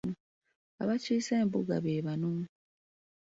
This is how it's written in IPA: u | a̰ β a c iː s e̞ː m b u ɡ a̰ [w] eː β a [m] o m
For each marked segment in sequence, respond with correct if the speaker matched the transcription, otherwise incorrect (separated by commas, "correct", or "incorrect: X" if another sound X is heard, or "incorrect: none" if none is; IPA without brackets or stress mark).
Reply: incorrect: β, incorrect: n